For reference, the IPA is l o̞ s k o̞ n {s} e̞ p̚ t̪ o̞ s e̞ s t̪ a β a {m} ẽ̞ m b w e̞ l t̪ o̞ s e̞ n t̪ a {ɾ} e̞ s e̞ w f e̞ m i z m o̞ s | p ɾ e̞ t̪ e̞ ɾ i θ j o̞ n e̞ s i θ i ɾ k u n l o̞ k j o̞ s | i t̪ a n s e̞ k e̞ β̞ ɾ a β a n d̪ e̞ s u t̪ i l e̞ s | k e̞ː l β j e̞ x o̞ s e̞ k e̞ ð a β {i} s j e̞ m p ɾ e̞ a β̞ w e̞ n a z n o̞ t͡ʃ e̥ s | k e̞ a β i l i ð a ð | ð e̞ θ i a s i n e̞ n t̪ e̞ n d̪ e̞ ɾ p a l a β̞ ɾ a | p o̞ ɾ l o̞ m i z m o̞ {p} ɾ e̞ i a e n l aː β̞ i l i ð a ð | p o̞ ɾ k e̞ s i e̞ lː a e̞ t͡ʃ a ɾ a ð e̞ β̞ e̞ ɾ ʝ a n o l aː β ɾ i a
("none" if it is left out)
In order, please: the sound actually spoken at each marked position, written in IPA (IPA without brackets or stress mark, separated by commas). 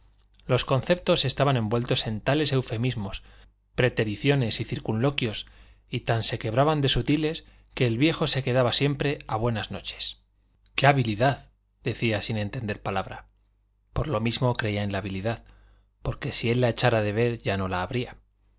θ, n, l, a, k